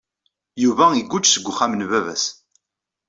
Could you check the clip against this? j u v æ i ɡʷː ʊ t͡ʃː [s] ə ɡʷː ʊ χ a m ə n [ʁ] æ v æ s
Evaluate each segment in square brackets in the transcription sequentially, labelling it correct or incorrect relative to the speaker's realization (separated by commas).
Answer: correct, incorrect